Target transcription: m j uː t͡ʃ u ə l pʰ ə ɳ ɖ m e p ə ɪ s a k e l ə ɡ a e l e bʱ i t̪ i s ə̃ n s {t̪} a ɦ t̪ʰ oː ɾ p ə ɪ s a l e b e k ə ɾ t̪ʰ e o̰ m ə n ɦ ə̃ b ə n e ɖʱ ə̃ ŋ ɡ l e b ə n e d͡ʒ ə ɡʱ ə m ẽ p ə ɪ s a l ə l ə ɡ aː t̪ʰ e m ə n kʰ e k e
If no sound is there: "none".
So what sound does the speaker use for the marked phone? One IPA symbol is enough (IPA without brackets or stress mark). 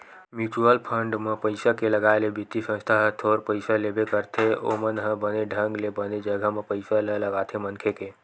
t̪ʰ